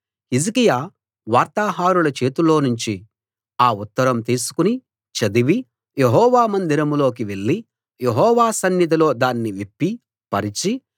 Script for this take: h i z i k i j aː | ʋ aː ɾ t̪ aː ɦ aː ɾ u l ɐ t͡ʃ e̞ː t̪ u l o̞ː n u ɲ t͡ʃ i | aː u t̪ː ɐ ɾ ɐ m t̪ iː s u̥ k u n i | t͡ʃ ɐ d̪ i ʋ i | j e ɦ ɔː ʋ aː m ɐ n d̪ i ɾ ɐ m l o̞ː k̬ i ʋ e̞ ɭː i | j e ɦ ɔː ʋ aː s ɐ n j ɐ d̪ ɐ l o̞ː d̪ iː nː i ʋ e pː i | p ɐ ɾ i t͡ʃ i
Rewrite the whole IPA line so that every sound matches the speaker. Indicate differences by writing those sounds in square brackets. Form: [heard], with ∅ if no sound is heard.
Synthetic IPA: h i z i k i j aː | ʋ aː ɾ t̪ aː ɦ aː ɾ u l ɐ t͡ʃ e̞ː t̪ u l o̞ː n u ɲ t͡ʃ i | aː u t̪ː ɐ ɾ ɐ m t̪ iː s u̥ k u n i | t͡ʃ ɐ d̪ i ʋ i | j e ɦ ɔː ʋ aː m ɐ n d̪ i ɾ ɐ m l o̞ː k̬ i ʋ e̞ ɭː i | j e ɦ ɔː ʋ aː s ɐ n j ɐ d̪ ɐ l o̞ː d̪ [aː] nː i ʋ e pː i | p ɐ ɾ i t͡ʃ i